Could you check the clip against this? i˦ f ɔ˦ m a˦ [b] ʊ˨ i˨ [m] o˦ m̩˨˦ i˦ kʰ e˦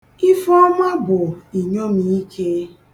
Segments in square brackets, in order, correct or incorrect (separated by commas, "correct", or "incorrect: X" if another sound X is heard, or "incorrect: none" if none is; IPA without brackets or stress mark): correct, incorrect: ɲ